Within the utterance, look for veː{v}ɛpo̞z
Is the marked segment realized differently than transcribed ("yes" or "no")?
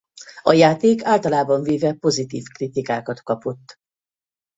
no